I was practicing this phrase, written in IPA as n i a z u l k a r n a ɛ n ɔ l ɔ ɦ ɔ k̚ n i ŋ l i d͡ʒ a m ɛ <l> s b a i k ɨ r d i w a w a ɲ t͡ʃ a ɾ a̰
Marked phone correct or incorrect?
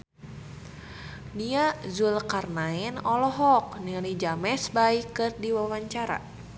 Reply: incorrect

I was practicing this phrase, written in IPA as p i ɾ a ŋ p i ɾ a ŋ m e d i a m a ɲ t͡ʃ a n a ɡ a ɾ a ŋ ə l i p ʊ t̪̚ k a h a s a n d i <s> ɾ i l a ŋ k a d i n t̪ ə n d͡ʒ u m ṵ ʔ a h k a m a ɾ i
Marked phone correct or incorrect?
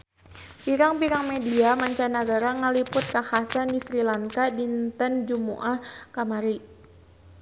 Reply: correct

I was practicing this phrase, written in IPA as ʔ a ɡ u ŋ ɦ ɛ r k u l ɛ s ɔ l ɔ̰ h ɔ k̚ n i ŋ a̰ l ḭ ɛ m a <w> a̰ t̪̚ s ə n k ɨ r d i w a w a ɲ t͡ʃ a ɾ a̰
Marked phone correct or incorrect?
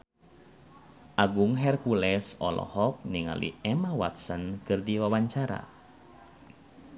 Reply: correct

